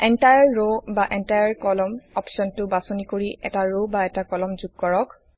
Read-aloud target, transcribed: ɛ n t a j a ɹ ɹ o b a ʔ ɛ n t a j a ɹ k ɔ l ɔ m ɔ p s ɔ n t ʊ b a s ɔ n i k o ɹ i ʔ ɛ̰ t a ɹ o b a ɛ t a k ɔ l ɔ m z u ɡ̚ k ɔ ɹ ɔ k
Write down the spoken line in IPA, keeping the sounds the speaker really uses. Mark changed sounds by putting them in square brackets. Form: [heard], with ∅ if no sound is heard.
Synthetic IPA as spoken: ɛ n t a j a ɹ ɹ o b a ʔ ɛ n t a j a ɹ k ɔ l ɔ m ɔ p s ɔ n t ʊ b a s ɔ n i k o ɹ i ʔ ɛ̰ t a ɹ o b a ɛ t a k ɔ l ɔ m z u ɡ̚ k ɔ ɹ ɔ k